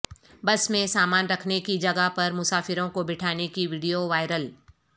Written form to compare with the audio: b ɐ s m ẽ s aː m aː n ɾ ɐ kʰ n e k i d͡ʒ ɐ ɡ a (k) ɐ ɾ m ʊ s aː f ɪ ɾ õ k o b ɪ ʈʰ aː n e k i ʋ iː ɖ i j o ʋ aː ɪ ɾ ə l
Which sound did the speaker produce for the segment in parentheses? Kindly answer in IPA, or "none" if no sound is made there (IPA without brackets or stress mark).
p